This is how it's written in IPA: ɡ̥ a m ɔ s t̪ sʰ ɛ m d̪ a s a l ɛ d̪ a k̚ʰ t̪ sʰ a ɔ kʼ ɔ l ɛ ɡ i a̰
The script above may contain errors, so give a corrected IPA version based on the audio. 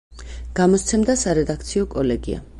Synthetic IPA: ɡ̥ a m ɔ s t̪ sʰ ɛ m d̪ a s a ɾ ɛ d̪ a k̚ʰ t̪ sʰ i ɔ kʼ ɔ l ɛ ɡ i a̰